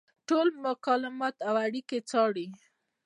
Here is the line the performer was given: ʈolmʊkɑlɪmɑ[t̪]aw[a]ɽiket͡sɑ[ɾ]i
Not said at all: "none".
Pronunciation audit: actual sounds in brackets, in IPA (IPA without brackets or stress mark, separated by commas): t̪, a, ɽ